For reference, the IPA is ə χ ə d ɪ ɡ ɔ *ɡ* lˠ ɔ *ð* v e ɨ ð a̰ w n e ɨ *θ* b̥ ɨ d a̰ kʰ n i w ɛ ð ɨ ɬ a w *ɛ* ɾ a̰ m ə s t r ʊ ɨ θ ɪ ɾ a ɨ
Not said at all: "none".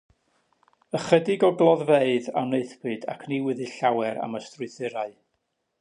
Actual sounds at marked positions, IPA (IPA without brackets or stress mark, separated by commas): ɡ, ð, θ, ɛ